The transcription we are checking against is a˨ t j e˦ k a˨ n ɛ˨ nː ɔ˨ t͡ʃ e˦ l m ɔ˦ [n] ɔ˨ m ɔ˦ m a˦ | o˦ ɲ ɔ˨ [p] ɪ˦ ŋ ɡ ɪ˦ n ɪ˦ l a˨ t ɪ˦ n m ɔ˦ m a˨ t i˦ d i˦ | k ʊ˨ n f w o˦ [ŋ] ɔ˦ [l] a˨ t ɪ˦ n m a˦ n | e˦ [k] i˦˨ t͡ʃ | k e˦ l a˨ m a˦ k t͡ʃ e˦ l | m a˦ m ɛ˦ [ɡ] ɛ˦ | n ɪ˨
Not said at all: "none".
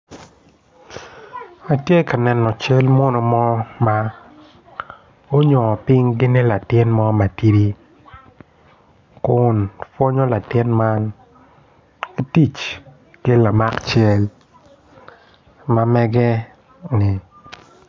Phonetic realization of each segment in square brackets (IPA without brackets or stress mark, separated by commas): n, p, ɲ, l, t, ɡ